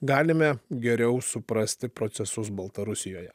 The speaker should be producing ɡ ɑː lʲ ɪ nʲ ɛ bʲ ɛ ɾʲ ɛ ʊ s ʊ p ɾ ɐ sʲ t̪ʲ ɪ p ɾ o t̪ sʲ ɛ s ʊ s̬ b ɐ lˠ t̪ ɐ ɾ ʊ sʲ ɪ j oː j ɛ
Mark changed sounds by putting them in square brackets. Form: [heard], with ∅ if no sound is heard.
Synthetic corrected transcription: ɡ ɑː lʲ ɪ [mʲ] ɛ [ɡʲ] ɛ ɾʲ ɛ ʊ s ʊ p ɾ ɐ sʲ t̪ʲ ɪ p ɾ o t̪ sʲ ɛ s ʊ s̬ b ɐ lˠ t̪ ɐ ɾ ʊ sʲ ɪ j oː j ɛ